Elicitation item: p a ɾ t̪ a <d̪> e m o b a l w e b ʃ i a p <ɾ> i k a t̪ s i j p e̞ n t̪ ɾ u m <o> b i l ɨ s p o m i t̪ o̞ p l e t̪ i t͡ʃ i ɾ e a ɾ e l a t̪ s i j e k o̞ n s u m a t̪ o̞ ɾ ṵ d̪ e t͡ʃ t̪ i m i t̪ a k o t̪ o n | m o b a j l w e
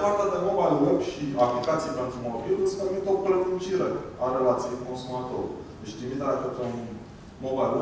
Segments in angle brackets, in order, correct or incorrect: correct, incorrect: l, correct

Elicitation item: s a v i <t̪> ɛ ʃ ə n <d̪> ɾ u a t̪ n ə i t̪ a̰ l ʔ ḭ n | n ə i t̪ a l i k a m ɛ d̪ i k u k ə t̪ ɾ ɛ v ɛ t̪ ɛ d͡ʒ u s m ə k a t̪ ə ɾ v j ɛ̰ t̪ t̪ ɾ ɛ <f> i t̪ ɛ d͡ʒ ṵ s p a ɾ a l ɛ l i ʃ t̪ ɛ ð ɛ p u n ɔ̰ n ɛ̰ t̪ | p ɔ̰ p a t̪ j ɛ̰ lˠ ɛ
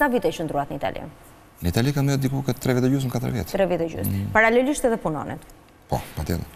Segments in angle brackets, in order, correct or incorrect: correct, correct, incorrect: v

